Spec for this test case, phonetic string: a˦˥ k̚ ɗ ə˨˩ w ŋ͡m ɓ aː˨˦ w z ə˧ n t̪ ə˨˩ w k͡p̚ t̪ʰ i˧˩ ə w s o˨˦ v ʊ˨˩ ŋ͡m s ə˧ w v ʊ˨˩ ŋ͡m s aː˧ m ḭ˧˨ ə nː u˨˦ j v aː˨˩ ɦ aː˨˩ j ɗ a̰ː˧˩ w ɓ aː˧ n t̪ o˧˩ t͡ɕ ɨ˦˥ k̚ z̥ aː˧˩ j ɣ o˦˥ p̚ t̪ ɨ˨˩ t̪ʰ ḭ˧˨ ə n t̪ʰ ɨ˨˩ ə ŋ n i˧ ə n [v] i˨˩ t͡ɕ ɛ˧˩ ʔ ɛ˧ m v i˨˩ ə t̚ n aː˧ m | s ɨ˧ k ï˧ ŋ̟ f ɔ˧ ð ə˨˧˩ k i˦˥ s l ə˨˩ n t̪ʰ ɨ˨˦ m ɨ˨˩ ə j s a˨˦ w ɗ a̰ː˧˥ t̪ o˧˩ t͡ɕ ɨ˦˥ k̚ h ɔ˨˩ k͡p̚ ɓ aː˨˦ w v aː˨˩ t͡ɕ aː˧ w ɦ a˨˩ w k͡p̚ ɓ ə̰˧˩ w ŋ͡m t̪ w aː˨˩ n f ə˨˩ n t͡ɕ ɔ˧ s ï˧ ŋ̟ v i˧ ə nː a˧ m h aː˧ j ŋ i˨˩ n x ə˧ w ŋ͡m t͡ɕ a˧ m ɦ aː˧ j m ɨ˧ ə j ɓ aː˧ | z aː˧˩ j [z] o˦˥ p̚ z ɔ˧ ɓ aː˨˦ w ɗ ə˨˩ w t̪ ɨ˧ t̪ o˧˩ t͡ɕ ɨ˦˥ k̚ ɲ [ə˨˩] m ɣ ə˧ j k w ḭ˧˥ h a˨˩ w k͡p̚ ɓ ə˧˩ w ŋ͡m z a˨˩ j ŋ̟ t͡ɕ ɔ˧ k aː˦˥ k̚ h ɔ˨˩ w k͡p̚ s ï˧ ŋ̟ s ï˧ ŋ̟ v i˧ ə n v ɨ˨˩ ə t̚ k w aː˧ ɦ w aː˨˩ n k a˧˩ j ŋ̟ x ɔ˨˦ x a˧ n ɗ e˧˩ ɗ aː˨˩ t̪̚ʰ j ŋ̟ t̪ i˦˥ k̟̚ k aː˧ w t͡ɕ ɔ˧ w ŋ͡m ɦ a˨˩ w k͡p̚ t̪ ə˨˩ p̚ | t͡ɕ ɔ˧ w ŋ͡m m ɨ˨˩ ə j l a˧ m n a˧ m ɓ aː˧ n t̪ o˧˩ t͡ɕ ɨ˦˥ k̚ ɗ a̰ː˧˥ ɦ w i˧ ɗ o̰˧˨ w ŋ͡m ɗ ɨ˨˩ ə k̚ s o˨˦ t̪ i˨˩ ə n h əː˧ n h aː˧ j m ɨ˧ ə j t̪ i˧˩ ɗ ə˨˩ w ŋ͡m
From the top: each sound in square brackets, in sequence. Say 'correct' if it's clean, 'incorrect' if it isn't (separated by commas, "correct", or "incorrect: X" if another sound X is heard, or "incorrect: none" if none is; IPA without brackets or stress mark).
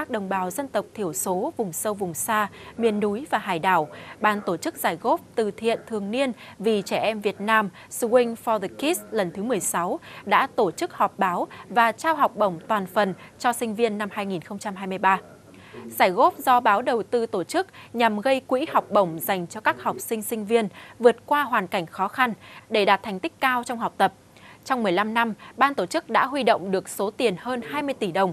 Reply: correct, incorrect: ɣ, incorrect: a˨˩